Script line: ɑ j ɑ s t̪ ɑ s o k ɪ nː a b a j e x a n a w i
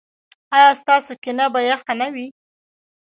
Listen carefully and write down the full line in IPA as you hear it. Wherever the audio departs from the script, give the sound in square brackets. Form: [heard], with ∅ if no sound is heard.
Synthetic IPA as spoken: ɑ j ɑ s t̪ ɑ s o k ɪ [n] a b a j [a] x a n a w i